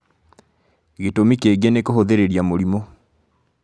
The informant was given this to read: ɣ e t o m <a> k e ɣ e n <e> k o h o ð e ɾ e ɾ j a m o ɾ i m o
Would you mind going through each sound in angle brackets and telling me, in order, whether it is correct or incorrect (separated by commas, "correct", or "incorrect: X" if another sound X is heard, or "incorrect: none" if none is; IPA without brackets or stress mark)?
incorrect: i, correct